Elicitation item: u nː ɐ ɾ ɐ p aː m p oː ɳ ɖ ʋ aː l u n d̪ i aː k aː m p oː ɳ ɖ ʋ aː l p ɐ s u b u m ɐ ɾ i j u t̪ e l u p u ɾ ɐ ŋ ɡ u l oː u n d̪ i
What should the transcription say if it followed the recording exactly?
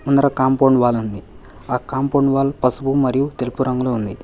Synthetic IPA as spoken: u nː ɐ ɾ ɐ k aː m p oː ɳ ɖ ʋ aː l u n d̪ i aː k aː m p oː ɳ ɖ ʋ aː l p ɐ s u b u m ɐ ɾ i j u t̪ e l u p u ɾ ɐ ŋ ɡ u l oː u n d̪ i

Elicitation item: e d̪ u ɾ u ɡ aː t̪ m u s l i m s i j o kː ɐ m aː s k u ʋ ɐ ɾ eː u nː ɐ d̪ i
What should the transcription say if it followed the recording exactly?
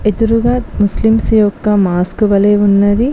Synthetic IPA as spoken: e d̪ u ɾ u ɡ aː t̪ m u s l i m s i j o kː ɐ m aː s k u ʋ ɐ l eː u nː ɐ d̪ i

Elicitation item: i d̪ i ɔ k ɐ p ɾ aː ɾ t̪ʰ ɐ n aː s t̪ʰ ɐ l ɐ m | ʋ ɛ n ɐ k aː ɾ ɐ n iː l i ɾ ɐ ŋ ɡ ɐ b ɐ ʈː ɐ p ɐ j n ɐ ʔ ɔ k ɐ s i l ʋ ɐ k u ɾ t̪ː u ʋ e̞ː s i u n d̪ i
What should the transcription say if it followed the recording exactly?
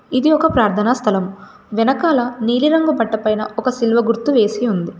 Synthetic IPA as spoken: i d̪ i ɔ k ɐ p ɾ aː ɾ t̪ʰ ɐ n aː s t̪ʰ ɐ l ɐ m | ʋ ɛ n ɐ k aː l ɐ n iː l i ɾ ɐ ŋ ɡ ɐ b ɐ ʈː ɐ p ɐ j n ɐ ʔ ɔ k ɐ s i l ʋ ɐ ɡ u ɾ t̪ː u ʋ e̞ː s i u n d̪ i

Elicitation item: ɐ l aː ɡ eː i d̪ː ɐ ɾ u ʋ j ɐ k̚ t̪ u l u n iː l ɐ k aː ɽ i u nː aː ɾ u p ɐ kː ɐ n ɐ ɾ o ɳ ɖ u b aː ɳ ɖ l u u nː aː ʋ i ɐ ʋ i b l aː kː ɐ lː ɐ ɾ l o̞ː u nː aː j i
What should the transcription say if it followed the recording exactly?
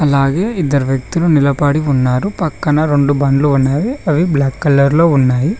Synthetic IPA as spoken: ɐ l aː ɡ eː i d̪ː ɐ ɾ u ʋ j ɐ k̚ t̪ u l u n i l ɐ p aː ɽ i u nː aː ɾ u p ɐ kː ɐ n ɐ ɾ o ɳ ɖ u b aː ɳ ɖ l u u nː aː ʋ i ɐ ʋ i b l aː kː ɐ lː ɐ ɾ l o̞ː u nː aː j i

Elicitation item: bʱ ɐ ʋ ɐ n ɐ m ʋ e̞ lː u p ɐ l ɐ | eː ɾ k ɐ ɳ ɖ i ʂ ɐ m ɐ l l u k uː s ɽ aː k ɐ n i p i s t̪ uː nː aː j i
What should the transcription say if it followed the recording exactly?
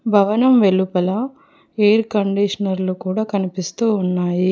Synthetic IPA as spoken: bʱ ɐ ʋ ɐ n ɐ m ʋ e̞ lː u p ɐ l ɐ | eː ɾ k ɐ ɳ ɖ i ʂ ɐ n ɐ ɾ l u k uː ɽ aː k ɐ n i p i s t̪ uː nː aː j i

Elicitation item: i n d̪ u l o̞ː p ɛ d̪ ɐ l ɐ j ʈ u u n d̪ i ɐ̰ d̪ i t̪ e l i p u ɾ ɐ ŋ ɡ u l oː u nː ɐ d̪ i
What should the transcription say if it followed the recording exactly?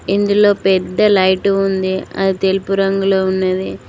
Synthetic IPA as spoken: i n d̪ u l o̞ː p ɛ d̪ː ɐ l ɐ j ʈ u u n d̪ i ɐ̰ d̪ i t̪ e l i p u ɾ ɐ ŋ ɡ u l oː u nː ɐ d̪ i

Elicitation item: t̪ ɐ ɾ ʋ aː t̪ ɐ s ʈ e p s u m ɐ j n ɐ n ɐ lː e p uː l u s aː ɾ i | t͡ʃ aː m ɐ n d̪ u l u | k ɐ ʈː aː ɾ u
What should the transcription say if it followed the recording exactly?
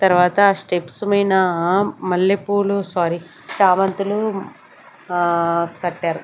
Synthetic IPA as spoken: t̪ ɐ ɾ ʋ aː t̪ ɐ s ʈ e p s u m ɐ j n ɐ m ɐ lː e p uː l u s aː ɾ i | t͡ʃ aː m ɐ n t̪ u l u | k ɐ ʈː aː ɾ u

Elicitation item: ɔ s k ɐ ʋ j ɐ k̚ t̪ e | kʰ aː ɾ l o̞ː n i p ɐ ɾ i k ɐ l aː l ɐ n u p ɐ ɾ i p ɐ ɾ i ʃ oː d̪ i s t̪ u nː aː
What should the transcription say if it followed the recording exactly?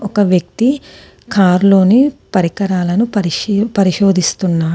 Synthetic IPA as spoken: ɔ k ɐ ʋ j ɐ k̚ t̪ i | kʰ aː ɾ l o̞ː n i p ɐ ɾ i k ɐ ɾ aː l ɐ n u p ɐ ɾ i p ɐ ɾ i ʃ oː d̪ i s t̪ u nː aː

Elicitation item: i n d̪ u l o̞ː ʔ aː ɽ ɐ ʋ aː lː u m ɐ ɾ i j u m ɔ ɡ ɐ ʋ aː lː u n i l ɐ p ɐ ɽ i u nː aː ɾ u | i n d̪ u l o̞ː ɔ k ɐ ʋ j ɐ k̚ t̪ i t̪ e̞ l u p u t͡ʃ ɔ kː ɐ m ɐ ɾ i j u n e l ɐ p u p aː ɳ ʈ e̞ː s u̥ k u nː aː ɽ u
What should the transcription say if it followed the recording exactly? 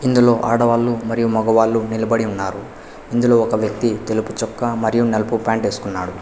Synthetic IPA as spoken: i n d̪ u l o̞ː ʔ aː ɽ ɐ ʋ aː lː u m ɐ ɾ i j u m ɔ ɡ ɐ ʋ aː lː u n i l ɐ b ɐ ɽ i u nː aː ɾ u | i n d̪ u l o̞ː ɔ k ɐ ʋ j ɐ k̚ t̪ i t̪ e̞ l u p u t͡ʃ ɔ kː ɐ m ɐ ɾ i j u n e l ɐ p u p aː ɳ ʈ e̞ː s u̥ k u nː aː ɽ u

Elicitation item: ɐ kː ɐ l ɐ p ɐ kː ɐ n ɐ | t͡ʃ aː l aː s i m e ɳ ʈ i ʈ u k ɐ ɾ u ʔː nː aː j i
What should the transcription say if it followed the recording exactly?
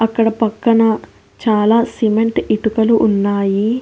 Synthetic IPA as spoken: ɐ kː ɐ ɽ ɐ p ɐ kː ɐ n ɐ | t͡ʃ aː l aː s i m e ɳ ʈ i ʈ u k ɐ l u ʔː nː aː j i

